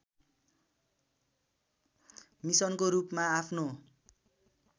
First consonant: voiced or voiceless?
voiced